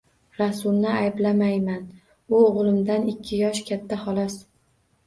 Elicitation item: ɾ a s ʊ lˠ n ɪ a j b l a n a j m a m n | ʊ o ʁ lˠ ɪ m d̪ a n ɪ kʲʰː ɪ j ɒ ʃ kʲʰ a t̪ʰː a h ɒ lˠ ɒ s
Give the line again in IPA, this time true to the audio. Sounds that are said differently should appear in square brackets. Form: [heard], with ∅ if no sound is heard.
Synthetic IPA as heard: ɾ a s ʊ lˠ n ɪ a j b l a [m] a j m a [∅] n | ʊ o ʁ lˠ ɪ m d̪ a n ɪ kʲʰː ɪ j ɒ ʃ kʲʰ a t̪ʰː a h ɒ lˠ ɒ s